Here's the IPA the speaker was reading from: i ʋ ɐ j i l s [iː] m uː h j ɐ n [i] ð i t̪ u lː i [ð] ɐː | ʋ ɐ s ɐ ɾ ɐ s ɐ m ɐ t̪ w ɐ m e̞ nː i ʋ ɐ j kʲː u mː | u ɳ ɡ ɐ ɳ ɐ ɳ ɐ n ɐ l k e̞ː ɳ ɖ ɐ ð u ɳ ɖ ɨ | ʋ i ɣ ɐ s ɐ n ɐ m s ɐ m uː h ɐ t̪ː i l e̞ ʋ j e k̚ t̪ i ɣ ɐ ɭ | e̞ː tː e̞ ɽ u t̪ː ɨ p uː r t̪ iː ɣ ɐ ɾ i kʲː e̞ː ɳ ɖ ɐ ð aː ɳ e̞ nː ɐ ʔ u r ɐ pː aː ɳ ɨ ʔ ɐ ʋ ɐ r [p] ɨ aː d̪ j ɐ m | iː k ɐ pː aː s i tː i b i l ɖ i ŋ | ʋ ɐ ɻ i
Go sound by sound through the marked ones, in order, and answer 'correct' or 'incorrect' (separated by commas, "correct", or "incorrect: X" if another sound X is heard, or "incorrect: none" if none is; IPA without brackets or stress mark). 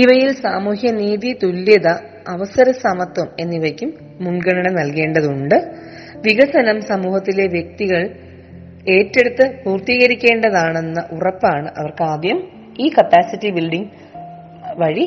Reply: incorrect: aː, incorrect: iː, correct, incorrect: k